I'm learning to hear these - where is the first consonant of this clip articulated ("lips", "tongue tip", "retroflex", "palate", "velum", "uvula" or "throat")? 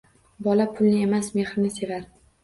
lips